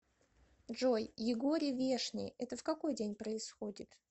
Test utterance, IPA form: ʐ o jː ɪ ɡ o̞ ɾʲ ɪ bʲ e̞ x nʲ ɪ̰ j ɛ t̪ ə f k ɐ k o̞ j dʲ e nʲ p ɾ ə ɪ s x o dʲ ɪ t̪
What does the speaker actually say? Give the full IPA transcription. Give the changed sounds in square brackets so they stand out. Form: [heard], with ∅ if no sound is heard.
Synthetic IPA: ʐ o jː ɪ ɡ o̞ ɾʲ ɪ [vʲ] e̞ [ʂ] nʲ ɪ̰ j ɛ t̪ ə f k ɐ k o̞ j dʲ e nʲ p ɾ ə ɪ s x o dʲ ɪ t̪

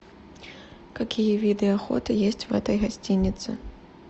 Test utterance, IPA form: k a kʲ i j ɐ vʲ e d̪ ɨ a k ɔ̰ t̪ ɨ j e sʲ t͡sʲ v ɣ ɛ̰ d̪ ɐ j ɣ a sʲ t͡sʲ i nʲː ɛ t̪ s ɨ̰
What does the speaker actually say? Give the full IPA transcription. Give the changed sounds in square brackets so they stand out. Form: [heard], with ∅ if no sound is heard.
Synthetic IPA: k a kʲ i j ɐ vʲ [i] d̪ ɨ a [x] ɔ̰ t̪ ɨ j e sʲ t͡sʲ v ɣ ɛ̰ [t̪] ɐ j ɣ a sʲ t͡sʲ i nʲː [i] t̪ s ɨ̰

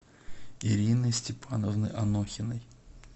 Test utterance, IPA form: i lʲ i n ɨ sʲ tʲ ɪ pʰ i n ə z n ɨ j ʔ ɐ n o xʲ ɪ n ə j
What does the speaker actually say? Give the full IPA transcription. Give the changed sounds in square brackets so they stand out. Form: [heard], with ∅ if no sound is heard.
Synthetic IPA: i [ɾʲ] i n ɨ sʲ tʲ ɪ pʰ [a] n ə [v] n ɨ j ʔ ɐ n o xʲ ɪ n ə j

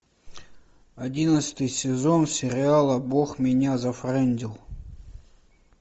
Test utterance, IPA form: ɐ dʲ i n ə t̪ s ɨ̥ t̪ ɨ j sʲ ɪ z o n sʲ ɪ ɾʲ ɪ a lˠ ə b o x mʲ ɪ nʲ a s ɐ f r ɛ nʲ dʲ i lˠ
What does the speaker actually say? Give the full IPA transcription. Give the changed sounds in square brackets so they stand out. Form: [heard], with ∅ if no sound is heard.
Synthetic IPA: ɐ dʲ i n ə t̪ s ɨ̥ t̪ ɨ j sʲ ɪ z o n sʲ ɪ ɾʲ ɪ a lˠ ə b o x mʲ ɪ nʲ a [z] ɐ f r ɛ nʲ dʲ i lˠ

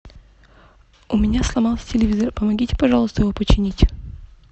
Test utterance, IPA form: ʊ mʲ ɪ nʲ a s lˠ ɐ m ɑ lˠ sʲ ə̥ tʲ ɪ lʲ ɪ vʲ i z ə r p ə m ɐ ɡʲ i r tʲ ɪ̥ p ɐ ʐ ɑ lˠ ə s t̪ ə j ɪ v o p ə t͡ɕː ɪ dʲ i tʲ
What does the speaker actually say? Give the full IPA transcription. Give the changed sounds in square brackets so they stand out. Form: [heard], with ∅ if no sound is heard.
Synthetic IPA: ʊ mʲ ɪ nʲ a s lˠ ɐ m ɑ lˠ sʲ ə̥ tʲ ɪ lʲ ɪ vʲ i z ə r p ə m ɐ ɡʲ i [∅] tʲ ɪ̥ p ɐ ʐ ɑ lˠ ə s t̪ ə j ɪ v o p ə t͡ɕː ɪ [nʲ] i tʲ

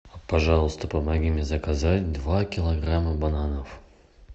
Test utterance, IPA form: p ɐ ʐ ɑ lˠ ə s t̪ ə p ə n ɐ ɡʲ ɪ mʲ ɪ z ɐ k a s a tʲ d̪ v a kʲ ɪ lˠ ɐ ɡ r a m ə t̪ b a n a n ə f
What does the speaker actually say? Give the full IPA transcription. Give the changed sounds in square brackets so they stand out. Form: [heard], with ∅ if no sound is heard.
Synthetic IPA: p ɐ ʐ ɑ lˠ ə s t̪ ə p ə [m] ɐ ɡʲ [i] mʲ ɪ z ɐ k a [z] a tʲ d̪ v a kʲ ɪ lˠ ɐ ɡ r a m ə [∅] b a n a n ə f

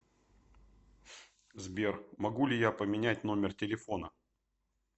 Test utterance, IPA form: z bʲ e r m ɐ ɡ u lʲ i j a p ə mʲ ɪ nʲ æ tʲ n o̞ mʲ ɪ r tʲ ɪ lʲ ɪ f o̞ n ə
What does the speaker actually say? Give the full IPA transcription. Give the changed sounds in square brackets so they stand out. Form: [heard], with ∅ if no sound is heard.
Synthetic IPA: z bʲ e r m ɐ ɡ u lʲ [ɪ] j a p ə mʲ ɪ nʲ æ tʲ n o̞ mʲ ɪ r tʲ ɪ lʲ ɪ f o̞ n ə

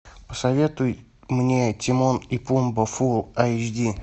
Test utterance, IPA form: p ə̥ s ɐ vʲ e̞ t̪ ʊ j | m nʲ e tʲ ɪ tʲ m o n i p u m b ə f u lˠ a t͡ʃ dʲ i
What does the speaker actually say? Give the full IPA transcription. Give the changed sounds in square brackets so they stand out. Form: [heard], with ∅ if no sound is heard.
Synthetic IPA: p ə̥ s ɐ vʲ e̞ t̪ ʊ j | m nʲ e tʲ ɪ [∅] m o n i p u m b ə f u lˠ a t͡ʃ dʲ i

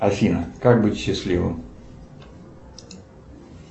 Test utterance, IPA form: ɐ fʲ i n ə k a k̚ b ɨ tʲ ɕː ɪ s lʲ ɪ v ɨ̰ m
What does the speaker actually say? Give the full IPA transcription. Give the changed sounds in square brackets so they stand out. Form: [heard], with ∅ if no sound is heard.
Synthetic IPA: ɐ fʲ i n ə k a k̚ b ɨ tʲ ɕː ɪ s lʲ [i] v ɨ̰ m

